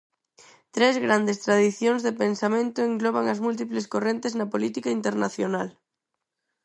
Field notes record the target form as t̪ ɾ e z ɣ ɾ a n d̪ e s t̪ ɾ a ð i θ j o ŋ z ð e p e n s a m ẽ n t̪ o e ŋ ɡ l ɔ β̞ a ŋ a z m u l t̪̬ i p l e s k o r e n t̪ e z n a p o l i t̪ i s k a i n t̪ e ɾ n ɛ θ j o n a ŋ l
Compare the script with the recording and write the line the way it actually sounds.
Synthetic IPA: t̪ ɾ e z ɣ ɾ a n d̪ e s t̪ ɾ a ð i θ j o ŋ z ð e p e n s a m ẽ n t̪ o e ŋ ɡ l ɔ β̞ a ŋ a z m u l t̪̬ i p l e s k o r e n t̪ e z n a p o l i t̪ i k a i n t̪ e ɾ n a θ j o n a l